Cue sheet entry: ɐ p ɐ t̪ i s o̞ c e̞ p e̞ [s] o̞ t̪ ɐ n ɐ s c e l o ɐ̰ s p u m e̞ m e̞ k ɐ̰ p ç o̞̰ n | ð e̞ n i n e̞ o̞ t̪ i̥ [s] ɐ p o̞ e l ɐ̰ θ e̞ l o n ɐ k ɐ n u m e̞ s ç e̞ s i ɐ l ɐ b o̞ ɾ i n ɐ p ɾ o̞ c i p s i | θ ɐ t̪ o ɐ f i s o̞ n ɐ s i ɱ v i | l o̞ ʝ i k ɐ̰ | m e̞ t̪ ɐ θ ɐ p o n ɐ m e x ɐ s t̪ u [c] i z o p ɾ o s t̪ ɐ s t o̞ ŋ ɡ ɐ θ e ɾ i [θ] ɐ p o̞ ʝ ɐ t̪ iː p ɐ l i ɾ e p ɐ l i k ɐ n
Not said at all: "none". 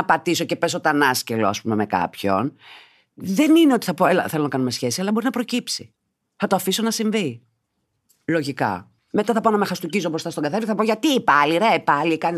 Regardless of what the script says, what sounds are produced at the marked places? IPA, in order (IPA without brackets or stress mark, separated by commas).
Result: s, θ, c, θ